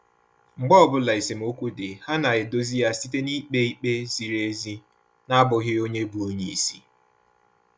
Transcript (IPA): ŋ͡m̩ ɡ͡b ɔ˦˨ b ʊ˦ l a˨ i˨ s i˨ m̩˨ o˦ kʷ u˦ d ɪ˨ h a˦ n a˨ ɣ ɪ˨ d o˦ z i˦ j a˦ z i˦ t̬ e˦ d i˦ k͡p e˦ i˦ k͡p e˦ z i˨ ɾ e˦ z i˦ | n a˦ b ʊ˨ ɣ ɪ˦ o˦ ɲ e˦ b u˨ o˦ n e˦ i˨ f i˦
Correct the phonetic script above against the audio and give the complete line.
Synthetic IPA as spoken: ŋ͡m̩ ɡ͡b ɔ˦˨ b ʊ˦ l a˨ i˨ s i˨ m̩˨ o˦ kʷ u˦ d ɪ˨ h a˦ n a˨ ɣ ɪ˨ d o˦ z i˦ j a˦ s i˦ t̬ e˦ n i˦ k͡p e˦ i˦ k͡p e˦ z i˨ ɾ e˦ z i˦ | n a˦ b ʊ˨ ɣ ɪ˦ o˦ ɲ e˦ b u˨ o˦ ɲ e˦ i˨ s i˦